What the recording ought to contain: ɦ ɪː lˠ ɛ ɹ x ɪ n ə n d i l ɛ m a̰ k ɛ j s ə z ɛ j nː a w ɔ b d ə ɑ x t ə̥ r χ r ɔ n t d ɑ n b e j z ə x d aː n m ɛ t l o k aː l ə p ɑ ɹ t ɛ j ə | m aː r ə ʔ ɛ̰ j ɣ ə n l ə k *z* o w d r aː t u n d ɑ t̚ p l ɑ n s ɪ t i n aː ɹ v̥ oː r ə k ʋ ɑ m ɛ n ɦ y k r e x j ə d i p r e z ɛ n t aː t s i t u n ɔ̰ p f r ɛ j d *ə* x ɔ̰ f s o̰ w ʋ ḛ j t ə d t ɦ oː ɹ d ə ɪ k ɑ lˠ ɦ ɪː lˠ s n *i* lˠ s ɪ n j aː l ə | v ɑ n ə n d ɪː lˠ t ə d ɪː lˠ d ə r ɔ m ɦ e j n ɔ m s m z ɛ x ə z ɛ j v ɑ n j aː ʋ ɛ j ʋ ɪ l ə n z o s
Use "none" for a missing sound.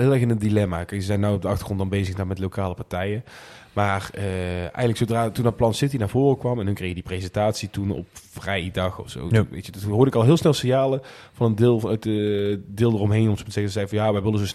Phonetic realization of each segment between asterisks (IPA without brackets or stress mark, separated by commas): s, ɑ, ɛ